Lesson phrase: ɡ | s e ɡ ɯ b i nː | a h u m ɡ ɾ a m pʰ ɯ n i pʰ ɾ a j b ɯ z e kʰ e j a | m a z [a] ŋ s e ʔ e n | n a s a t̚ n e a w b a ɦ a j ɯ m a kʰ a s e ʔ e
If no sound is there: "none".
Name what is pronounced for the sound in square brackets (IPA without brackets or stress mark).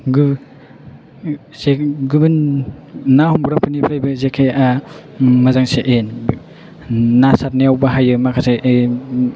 a